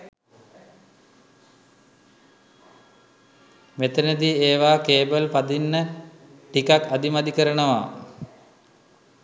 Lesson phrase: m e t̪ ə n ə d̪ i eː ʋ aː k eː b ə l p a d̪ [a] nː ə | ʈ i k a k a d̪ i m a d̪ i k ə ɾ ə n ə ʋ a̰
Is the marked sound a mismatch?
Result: yes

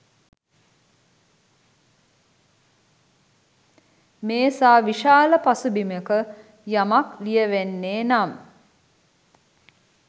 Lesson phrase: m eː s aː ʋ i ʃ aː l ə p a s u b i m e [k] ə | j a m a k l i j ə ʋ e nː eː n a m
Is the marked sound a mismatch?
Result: no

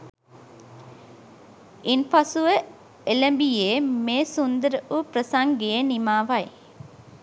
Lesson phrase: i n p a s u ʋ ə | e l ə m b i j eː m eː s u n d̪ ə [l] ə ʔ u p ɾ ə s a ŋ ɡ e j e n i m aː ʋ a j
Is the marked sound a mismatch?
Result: yes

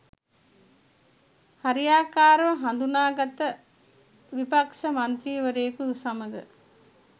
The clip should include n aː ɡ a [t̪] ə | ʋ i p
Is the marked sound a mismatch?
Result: no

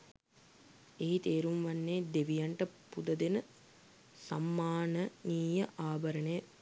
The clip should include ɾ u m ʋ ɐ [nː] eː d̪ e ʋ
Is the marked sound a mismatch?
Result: no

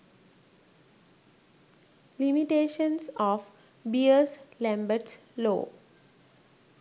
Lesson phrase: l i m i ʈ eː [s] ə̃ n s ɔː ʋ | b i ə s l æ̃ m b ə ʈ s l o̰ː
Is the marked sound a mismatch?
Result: yes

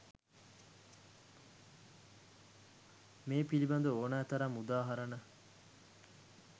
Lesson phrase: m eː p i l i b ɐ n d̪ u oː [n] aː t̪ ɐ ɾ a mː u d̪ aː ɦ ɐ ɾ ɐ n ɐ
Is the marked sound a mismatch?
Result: no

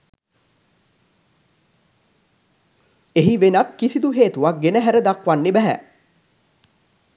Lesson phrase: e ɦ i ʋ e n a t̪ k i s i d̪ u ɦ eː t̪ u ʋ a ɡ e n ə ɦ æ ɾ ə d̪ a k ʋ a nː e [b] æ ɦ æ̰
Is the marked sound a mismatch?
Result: no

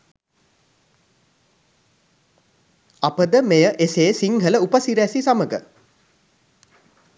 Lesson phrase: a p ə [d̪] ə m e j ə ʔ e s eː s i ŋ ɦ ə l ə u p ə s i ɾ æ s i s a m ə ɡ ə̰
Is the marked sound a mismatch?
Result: no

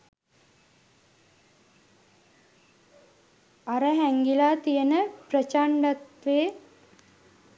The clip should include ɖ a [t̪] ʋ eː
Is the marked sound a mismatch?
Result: no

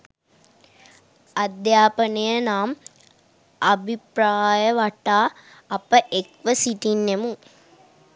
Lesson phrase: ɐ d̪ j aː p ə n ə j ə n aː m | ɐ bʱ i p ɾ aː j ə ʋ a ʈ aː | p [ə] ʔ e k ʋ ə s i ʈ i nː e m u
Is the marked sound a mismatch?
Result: no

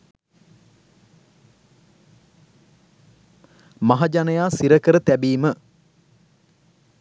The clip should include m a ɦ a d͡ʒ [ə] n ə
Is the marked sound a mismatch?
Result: yes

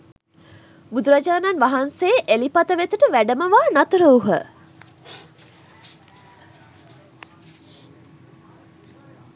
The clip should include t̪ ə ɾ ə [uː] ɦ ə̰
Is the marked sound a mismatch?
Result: yes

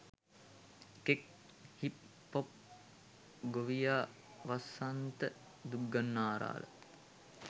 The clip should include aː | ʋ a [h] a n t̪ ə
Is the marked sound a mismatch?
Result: yes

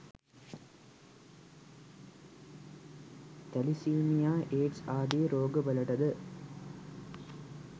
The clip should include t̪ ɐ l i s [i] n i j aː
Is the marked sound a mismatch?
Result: yes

